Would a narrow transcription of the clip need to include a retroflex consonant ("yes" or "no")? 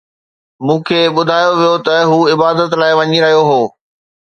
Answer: no